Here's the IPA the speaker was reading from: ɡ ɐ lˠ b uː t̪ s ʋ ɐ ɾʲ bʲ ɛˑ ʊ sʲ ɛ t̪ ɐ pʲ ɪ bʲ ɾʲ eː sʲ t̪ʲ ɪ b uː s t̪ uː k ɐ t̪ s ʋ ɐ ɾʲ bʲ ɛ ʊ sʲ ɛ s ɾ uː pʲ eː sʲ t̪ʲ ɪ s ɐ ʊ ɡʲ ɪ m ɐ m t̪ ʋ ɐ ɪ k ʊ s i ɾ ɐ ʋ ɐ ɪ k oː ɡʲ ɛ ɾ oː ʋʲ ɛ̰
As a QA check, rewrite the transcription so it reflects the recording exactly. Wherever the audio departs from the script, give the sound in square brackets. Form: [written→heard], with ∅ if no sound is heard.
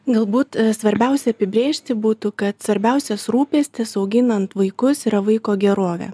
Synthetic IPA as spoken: ɡ ɐ lˠ b uː t̪ s ʋ ɐ ɾʲ bʲ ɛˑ ʊ sʲ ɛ [t̪→∅] ɐ pʲ ɪ bʲ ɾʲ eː [sʲ→ʃʲ] t̪ʲ ɪ b uː [s→∅] t̪ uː k ɐ t̪ s ʋ ɐ ɾʲ bʲ ɛ ʊ sʲ ɛ s ɾ uː pʲ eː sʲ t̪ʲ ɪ s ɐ ʊ ɡʲ ɪ [m→n] ɐ [m→n] t̪ ʋ ɐ ɪ k ʊ s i ɾ ɐ ʋ ɐ ɪ k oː ɡʲ ɛ ɾ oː ʋʲ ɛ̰

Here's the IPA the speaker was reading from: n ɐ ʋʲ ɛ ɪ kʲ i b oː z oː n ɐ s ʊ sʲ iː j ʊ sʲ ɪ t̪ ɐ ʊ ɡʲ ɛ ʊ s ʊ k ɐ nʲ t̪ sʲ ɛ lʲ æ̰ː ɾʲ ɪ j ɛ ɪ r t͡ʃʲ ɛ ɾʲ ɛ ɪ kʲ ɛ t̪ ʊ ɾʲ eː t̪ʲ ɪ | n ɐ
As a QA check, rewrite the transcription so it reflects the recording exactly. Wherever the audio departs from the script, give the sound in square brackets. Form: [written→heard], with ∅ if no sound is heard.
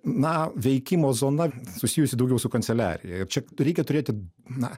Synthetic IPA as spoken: n ɐ ʋʲ ɛ ɪ kʲ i [b→m] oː z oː n ɐ s ʊ sʲ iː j ʊ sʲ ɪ [t̪→d̪] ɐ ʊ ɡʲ ɛ ʊ s ʊ k ɐ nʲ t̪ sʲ ɛ lʲ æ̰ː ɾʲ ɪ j ɛ ɪ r t͡ʃʲ ɛ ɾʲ ɛ ɪ kʲ ɛ t̪ ʊ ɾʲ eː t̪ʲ ɪ | n ɐ

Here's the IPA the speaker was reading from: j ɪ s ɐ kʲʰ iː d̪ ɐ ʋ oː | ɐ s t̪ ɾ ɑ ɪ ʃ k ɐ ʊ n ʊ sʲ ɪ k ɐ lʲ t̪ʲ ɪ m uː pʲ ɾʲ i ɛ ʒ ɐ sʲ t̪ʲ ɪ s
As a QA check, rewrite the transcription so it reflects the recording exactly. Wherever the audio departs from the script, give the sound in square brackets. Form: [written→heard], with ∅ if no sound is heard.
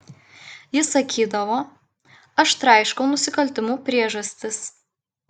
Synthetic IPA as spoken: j ɪ s ɐ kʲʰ iː d̪ ɐ ʋ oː | ɐ [s→ʃ] t̪ ɾ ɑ ɪ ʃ k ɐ ʊ n ʊ sʲ ɪ k ɐ lʲ t̪ʲ ɪ m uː pʲ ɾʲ i ɛ ʒ ɐ sʲ t̪ʲ ɪ s

